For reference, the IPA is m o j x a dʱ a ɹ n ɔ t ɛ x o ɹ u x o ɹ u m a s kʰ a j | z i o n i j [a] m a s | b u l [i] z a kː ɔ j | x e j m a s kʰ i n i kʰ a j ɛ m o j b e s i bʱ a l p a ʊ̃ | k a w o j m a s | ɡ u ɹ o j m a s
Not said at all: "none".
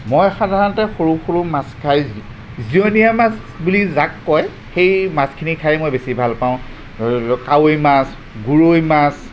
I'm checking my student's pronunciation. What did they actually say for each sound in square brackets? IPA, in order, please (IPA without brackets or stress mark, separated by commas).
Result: a, i